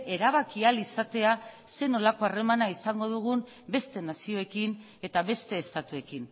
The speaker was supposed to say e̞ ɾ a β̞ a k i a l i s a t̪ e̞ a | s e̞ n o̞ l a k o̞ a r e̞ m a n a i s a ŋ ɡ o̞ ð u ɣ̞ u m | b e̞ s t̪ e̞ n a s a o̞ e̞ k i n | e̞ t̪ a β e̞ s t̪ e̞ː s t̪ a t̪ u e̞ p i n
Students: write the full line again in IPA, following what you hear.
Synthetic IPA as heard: e̞ ɾ a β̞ a k i a l i s a t̪ e̞ a | s e̞ n o̞ l a k o̞ a r e̞ m a n a i s a ŋ ɡ o̞ ð u ɣ̞ u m | b e̞ s t̪ e̞ n a s i o̞ e̞ k i n | e̞ t̪ a β e̞ s t̪ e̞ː s t̪ a t̪ u e̞ k i n